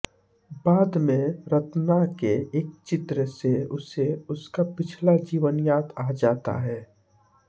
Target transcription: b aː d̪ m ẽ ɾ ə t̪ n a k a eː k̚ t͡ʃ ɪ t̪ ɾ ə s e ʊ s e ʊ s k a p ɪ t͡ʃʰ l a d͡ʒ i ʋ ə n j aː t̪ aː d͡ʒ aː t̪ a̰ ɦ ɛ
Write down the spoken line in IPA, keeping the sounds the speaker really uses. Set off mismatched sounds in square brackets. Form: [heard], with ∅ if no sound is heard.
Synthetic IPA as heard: b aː d̪ m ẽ ɾ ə t̪ n a k [e] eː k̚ t͡ʃ ɪ t̪ ɾ ə s e ʊ s e ʊ s k a p ɪ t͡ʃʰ l a d͡ʒ [iː] ʋ ə n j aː t̪ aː d͡ʒ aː t̪ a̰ ɦ [ɛː]